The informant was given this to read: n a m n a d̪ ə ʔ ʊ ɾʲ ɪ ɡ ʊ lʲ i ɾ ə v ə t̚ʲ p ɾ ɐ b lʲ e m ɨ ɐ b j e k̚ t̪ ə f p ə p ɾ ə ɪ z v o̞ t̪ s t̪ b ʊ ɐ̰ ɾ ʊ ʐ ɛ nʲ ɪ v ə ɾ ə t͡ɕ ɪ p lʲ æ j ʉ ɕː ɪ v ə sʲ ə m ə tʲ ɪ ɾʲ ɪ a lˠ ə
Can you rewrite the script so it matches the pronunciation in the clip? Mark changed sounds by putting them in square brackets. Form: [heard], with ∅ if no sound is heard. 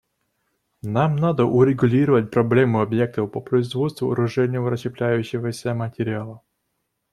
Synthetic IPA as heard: n a m n a d̪ ə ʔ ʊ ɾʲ ɪ ɡ ʊ lʲ i ɾ ə v ə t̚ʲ p ɾ ɐ b lʲ e m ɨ ɐ b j e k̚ t̪ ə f p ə p ɾ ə ɪ z v o̞ t̪ s t̪ [v] ʊ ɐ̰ ɾ ʊ ʐ ɛ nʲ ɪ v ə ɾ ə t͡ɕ ɪ p lʲ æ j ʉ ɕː ɪ v ə sʲ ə m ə tʲ ɪ ɾʲ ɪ a lˠ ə

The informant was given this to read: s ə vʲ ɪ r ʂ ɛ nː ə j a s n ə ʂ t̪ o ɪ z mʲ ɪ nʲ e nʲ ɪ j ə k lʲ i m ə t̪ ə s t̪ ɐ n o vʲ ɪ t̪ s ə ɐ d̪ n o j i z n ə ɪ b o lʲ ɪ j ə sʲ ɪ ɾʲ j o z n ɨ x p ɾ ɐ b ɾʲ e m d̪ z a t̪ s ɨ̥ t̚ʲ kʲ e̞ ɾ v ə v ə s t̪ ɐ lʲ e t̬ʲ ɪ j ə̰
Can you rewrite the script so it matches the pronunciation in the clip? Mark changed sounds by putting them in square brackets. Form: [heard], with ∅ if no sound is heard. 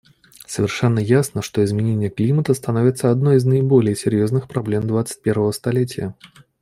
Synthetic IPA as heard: s ə vʲ ɪ r ʂ ɛ nː ə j a s n ə ʂ t̪ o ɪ z mʲ ɪ nʲ e nʲ ɪ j ə k lʲ i m ə t̪ ə s t̪ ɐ n o vʲ ɪ t̪ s ə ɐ d̪ n o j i z n ə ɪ b o lʲ ɪ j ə sʲ ɪ ɾʲ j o z n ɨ x p ɾ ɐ b [lʲ] e m d̪ [v] a t̪ s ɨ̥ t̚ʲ [pʲ] e̞ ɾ v ə v ə s t̪ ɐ lʲ e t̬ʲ ɪ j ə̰

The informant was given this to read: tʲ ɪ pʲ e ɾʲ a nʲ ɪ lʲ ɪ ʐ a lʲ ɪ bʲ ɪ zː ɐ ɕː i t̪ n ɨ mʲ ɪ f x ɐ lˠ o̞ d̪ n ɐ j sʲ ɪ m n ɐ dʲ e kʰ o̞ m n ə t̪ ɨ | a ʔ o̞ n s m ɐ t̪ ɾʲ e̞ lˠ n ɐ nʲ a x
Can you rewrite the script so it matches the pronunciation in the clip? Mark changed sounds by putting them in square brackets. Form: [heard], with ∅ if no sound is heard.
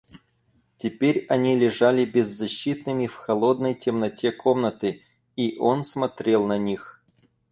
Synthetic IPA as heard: tʲ ɪ pʲ e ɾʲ [ɐ] nʲ [i] lʲ ɪ ʐ a lʲ ɪ bʲ ɪ zː ɐ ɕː i t̪ n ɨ mʲ ɪ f x ɐ lˠ o̞ d̪ n [ə] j [tʲ] ɪ m n ɐ [tʲ] e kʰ o̞ m n ə t̪ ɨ | [i] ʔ o̞ n s m ɐ t̪ ɾʲ e̞ lˠ n ɐ nʲ [i] x

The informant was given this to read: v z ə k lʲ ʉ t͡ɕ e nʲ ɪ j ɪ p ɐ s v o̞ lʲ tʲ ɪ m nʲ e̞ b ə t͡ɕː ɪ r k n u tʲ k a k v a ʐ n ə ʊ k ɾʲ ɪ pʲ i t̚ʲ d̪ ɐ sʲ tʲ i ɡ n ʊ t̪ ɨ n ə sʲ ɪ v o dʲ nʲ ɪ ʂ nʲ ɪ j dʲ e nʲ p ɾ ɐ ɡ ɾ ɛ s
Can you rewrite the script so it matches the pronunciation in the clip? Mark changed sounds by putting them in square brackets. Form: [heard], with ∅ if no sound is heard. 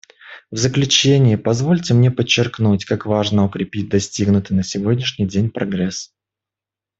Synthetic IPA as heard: v z ə k lʲ ʉ t͡ɕ e nʲ ɪ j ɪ p ɐ [z] v o̞ lʲ tʲ ɪ m nʲ e̞ [p] ə t͡ɕː ɪ r k n u tʲ k a k v a ʐ n ə ʊ k ɾʲ ɪ pʲ i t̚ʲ d̪ ɐ sʲ tʲ i ɡ n ʊ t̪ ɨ n ə sʲ ɪ v o dʲ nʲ ɪ ʂ nʲ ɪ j dʲ e nʲ p ɾ ɐ ɡ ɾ ɛ s

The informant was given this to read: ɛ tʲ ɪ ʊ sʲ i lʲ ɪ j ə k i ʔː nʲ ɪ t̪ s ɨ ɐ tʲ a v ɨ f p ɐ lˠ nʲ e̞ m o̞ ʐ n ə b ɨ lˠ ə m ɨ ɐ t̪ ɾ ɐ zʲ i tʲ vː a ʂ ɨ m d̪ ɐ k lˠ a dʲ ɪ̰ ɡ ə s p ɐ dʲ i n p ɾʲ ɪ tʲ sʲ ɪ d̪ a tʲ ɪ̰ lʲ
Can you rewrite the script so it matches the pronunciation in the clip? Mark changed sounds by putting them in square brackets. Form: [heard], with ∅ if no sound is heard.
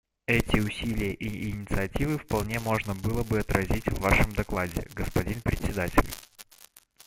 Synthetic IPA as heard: ɛ tʲ ɪ ʊ sʲ i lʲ ɪ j ə [ʔ] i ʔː nʲ ɪ t̪ s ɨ ɐ tʲ [i] v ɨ f p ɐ lˠ nʲ e̞ m o̞ ʐ n ə b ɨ lˠ ə [b] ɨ ɐ t̪ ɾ ɐ zʲ i tʲ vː a ʂ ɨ m d̪ ɐ k lˠ a dʲ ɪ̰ ɡ ə s p ɐ dʲ i n p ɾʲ ɪ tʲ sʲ ɪ d̪ a tʲ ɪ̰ lʲ

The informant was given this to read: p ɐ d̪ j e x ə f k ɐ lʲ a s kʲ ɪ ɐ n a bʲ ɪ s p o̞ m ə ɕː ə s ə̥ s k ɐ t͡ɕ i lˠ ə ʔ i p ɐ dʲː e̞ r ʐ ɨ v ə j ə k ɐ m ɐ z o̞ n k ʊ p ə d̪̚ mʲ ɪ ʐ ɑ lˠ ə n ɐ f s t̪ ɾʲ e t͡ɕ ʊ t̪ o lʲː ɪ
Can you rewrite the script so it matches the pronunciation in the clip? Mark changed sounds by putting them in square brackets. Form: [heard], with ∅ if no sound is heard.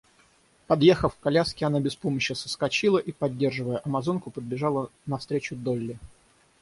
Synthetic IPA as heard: p ɐ d̪ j e x ə f k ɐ lʲ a s kʲ ɪ ɐ n a bʲ ɪ s p o̞ m ə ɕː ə s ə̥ s k ɐ t͡ɕ i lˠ ə ʔ i p ɐ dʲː e̞ r ʐ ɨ v ə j ə [ʔ] ɐ m ɐ z o̞ n k ʊ p ə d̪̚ [bʲ] ɪ ʐ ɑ lˠ ə n ɐ f s t̪ ɾʲ e t͡ɕ ʊ [d̪] o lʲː ɪ

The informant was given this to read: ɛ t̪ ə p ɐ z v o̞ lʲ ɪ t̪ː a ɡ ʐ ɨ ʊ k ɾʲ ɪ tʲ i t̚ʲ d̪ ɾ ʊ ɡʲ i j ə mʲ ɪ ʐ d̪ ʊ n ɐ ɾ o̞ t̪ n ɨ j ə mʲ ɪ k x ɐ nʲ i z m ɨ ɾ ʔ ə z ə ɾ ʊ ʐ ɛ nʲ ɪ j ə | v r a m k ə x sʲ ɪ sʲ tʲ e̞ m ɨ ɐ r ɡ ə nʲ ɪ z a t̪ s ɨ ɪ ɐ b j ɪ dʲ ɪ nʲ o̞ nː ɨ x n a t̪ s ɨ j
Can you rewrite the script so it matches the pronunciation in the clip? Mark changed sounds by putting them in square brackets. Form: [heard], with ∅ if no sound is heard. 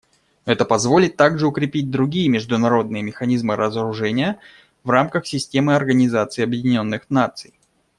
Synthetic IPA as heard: ɛ t̪ ə p ɐ z v o̞ lʲ ɪ t̪ː a ɡ ʐ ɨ ʊ k ɾʲ ɪ [pʲ] i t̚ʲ d̪ ɾ ʊ ɡʲ i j ə mʲ ɪ ʐ d̪ ʊ n ɐ ɾ o̞ [d̪] n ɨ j ə mʲ ɪ [∅] x ɐ nʲ i z m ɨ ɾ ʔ ə z ə ɾ ʊ ʐ ɛ nʲ ɪ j ə | v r a m k ə x sʲ ɪ sʲ tʲ e̞ m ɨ ɐ r ɡ ə nʲ ɪ z a t̪ s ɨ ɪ ɐ b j ɪ dʲ ɪ nʲ o̞ nː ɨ x n a t̪ s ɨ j

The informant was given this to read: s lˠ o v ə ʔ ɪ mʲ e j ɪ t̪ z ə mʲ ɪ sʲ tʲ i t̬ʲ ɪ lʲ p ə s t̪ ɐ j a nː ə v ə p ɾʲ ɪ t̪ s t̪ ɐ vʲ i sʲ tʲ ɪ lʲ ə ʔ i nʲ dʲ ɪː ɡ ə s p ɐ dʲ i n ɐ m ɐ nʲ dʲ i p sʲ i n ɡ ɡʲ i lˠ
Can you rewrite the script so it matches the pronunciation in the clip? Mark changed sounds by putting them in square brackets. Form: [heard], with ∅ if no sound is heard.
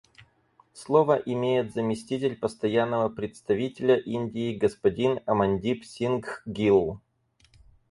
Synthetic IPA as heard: s lˠ o v ə ʔ ɪ mʲ e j ɪ t̪ z ə mʲ ɪ sʲ tʲ i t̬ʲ ɪ lʲ p ə s t̪ ɐ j a nː ə v ə p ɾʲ ɪ t̪ s t̪ ɐ vʲ i [∅] tʲ ɪ lʲ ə ʔ i nʲ dʲ ɪː ɡ ə s p ɐ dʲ i n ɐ m ɐ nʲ dʲ i p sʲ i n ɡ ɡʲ i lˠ

